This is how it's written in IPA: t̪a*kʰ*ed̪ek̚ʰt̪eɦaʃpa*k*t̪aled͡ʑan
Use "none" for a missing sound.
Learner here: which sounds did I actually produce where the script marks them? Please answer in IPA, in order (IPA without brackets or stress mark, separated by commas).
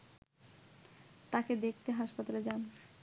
k, none